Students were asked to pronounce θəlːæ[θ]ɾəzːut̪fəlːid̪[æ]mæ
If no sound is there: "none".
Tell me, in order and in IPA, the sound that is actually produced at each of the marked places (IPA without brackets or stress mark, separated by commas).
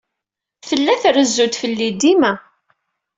θ, i